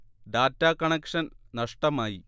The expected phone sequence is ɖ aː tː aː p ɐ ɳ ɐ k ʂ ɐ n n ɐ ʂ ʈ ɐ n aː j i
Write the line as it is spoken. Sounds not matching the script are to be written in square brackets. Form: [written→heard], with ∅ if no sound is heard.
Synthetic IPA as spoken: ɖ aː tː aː [p→k] ɐ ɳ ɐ k ʂ ɐ n n ɐ ʂ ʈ ɐ [n→m] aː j i